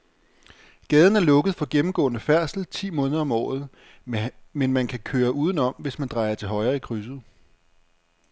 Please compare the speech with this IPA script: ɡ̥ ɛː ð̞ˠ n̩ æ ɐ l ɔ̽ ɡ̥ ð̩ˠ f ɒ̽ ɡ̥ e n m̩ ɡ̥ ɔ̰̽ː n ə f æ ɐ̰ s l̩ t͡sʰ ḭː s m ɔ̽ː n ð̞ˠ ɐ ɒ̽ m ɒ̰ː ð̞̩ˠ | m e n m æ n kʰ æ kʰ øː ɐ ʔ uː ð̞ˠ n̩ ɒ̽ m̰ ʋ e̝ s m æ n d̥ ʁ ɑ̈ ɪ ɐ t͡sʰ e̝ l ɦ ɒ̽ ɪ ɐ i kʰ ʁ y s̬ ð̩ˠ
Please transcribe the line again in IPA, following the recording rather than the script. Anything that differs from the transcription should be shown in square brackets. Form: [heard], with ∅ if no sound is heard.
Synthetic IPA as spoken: ɡ̥ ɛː ð̞ˠ n̩ æ ɐ l ɔ̽ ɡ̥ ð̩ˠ f ɒ̽ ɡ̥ e [m] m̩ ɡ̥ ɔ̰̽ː n ə f æ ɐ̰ s l̩ t͡sʰ ḭː [∅] m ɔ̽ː n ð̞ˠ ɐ ɒ̽ m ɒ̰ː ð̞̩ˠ | m e n m æ n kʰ æ kʰ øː ɐ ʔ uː ð̞ˠ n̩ ɒ̽ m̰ ʋ e̝ s m æ n d̥ ʁ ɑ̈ ɪ ɐ t͡sʰ e̝ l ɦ ɒ̽ ɪ ɐ i kʰ ʁ y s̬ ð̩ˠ